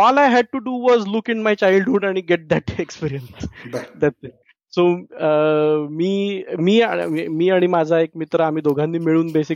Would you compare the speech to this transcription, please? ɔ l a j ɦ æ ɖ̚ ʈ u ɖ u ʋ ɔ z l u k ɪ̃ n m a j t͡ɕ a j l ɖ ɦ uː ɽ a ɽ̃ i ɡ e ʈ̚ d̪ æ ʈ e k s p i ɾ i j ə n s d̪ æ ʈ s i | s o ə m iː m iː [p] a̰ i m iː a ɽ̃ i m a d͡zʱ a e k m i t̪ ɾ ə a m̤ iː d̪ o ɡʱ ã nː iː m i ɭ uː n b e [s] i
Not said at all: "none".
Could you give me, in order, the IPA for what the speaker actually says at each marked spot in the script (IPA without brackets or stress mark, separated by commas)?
none, s